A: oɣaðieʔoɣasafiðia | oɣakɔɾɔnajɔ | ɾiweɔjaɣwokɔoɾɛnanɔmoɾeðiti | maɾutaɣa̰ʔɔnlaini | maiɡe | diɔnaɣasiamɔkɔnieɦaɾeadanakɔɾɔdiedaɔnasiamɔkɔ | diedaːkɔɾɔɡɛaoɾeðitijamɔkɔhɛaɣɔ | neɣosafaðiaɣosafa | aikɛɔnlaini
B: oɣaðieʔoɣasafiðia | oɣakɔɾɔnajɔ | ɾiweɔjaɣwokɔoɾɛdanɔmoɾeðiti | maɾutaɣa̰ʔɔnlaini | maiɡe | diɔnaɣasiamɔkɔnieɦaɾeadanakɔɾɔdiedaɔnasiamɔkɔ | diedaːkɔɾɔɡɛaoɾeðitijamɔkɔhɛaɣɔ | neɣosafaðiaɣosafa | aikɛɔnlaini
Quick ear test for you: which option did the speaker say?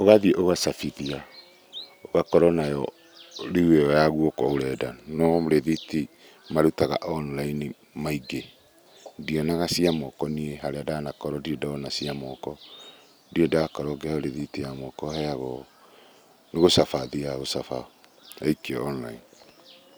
B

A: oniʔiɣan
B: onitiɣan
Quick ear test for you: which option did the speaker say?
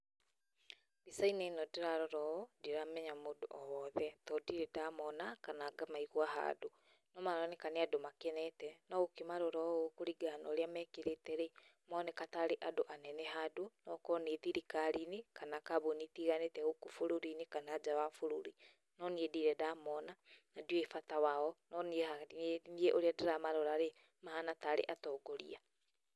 B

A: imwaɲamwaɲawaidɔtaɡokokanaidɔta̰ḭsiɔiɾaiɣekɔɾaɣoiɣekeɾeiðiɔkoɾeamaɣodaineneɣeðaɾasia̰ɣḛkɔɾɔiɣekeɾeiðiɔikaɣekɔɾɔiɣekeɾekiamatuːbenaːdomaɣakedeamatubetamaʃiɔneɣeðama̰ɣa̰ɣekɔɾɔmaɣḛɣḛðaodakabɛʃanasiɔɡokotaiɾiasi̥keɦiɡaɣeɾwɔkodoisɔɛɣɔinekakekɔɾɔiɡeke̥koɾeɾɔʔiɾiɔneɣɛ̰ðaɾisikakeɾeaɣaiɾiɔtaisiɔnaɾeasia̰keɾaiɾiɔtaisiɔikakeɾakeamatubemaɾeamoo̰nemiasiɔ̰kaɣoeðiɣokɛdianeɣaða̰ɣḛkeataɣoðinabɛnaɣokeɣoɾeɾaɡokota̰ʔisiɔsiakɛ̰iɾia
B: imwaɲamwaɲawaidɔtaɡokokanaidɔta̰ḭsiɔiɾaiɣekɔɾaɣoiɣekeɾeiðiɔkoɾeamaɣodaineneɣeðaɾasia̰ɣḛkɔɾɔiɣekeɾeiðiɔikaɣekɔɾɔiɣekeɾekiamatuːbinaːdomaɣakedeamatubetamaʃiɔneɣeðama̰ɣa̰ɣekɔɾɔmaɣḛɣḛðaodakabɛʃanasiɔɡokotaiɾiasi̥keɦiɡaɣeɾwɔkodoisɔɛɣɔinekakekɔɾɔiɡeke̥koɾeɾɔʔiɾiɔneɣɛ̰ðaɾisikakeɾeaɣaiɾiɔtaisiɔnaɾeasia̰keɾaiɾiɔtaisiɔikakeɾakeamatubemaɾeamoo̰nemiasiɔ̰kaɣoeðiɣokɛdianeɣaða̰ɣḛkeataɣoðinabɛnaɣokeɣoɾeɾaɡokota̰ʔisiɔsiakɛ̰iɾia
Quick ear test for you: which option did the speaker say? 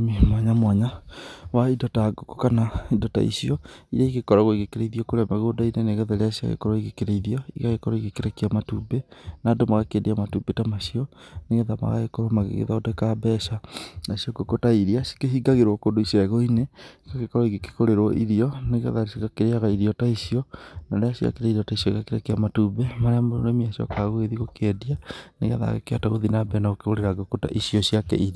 A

